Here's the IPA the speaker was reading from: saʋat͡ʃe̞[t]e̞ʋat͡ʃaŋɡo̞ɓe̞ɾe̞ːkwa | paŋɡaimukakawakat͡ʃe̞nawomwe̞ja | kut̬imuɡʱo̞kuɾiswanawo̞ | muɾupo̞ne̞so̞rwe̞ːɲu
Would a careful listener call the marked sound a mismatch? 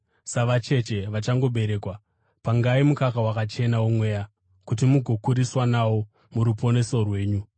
yes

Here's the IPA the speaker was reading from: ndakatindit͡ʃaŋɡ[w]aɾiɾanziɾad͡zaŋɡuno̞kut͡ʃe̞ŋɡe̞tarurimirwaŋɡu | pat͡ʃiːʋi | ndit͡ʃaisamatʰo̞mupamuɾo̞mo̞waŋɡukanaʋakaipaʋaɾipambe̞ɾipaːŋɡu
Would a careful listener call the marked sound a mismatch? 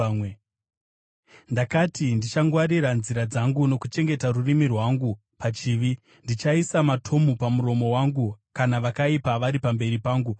no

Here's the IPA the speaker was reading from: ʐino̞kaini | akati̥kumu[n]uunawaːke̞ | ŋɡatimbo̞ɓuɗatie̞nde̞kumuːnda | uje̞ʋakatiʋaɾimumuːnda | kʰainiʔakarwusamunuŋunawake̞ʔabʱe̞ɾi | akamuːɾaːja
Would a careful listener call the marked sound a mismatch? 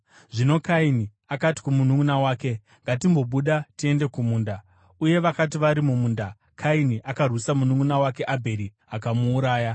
no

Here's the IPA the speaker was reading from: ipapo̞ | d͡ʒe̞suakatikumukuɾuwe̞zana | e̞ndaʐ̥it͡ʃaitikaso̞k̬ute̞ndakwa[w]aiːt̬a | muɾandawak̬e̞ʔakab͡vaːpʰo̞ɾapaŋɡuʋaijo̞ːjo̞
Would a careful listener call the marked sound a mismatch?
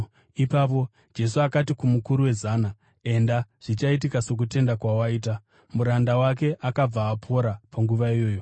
no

